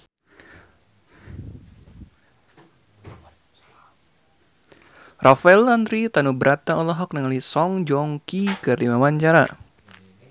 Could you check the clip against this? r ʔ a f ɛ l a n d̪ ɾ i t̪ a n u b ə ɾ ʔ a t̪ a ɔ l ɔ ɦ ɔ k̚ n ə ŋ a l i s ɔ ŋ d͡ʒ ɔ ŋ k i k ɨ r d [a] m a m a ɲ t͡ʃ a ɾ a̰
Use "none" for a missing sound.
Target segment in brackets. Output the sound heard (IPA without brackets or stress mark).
i